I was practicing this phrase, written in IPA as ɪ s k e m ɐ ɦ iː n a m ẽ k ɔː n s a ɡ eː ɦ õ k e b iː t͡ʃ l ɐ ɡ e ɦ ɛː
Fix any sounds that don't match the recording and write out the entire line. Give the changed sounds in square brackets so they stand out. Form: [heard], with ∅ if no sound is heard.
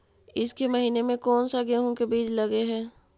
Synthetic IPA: ɪ s k e m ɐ ɦ iː n [e] m ẽ k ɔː n s a ɡ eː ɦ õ k e b iː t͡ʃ l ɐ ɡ e ɦ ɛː

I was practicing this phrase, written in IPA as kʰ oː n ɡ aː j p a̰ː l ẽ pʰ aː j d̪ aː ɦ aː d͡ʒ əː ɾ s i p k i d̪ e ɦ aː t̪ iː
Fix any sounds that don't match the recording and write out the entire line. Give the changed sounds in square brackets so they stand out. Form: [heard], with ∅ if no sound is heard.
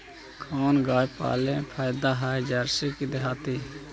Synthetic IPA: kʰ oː n ɡ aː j p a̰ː l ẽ pʰ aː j d̪ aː ɦ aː d͡ʒ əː ɾ s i [∅] k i d̪ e ɦ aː t̪ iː

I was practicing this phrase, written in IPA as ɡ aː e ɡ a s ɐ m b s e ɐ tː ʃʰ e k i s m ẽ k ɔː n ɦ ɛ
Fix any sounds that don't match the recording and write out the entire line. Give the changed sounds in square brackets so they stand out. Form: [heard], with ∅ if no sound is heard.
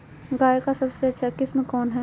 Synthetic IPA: ɡ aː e [k] a s ɐ [∅] b s e ɐ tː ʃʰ [a] k [ɪ] s m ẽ k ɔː n ɦ ɛ

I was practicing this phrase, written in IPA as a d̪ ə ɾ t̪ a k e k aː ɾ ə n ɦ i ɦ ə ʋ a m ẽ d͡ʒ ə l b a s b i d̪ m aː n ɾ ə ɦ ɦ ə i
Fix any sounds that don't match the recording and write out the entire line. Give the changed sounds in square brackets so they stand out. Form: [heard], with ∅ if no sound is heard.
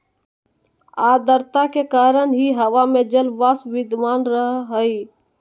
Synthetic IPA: a d̪ ə ɾ t̪ a k e k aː ɾ ə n ɦ i ɦ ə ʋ a m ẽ d͡ʒ ə l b a s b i d̪ m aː n ɾ ə ɦ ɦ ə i

